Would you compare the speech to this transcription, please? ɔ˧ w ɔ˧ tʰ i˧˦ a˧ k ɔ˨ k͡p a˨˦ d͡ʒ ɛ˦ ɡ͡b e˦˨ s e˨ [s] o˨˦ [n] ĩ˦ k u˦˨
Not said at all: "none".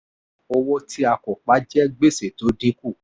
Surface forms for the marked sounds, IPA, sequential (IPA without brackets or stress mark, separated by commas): t, d